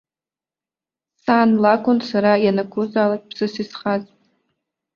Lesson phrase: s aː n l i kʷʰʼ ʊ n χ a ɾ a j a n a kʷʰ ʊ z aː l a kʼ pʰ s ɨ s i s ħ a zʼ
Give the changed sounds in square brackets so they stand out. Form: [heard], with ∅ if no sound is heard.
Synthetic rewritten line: s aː n l [a] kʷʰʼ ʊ n [s] a ɾ a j a n a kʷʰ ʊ z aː l a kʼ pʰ s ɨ s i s [χ] a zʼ